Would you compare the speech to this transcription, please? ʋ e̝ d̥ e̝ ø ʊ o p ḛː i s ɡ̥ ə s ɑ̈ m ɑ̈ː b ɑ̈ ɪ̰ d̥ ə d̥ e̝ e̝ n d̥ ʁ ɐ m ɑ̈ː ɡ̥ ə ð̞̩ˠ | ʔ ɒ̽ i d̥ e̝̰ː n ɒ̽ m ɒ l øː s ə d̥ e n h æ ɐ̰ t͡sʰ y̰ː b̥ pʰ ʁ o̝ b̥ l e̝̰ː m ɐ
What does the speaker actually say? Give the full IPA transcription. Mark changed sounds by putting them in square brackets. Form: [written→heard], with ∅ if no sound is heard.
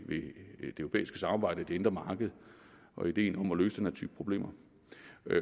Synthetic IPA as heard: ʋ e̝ d̥ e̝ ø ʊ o p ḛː i s ɡ̥ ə s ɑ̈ m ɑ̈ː b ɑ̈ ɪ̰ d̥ ə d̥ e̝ e̝ n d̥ ʁ ɐ m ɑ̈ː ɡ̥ ə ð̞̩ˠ | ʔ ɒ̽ i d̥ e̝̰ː n ɒ̽ m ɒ l øː s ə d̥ e n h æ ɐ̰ t͡sʰ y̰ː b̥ pʰ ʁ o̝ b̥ l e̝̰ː m ɐ